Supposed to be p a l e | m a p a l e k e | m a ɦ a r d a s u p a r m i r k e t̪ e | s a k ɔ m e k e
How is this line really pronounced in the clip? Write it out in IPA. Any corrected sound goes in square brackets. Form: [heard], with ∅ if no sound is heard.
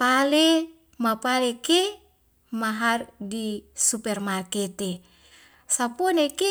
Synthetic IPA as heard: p a l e | m a p a l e k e | m a ɦ a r d [i] s u p [ɛ] r m [a] r k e t̪ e | s a [p] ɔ [n] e k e